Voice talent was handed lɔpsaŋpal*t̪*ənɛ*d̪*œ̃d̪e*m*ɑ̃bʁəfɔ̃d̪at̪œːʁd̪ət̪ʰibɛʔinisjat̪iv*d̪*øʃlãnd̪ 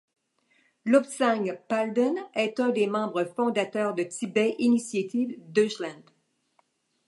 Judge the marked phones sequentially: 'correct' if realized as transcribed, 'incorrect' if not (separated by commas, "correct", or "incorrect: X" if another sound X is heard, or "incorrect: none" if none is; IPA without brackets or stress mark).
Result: incorrect: d̪, incorrect: t̪, correct, correct